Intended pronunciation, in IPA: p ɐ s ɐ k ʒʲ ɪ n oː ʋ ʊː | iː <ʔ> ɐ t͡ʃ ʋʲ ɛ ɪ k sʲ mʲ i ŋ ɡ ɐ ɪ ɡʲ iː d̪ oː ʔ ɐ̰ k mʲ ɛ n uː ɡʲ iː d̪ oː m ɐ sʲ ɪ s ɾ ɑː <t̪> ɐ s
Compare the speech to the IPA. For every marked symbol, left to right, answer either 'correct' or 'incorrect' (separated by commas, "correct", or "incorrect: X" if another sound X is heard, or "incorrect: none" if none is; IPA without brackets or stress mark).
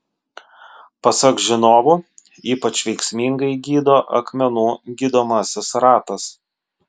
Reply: incorrect: p, correct